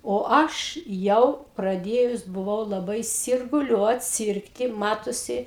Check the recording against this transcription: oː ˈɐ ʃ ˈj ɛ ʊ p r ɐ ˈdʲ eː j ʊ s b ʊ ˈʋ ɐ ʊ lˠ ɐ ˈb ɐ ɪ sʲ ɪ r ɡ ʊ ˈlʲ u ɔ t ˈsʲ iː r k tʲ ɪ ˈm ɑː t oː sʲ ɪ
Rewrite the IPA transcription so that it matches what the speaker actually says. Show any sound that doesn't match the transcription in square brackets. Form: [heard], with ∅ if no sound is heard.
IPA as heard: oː ˈɐ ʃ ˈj ɛ ʊ p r ɐ ˈdʲ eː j ʊ s b ʊ ˈʋ ɐ ʊ lˠ ɐ ˈb ɐ ɪ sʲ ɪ r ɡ ʊ ˈlʲ u ɔ t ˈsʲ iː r k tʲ ɪ ˈm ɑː t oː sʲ ɪ